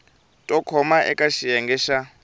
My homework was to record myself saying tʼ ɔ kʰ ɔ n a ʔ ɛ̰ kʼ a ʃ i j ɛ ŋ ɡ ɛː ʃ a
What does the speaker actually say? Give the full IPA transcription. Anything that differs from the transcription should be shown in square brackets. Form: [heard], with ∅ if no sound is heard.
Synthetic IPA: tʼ ɔ kʰ ɔ [m] a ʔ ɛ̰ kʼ a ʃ i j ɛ ŋ ɡ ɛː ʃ a